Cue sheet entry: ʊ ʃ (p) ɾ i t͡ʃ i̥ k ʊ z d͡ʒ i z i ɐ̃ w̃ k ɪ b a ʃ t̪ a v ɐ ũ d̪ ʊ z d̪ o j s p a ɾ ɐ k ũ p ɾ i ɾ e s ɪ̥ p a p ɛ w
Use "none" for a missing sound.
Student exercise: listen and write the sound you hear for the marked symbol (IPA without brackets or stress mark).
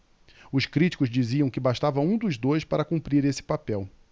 k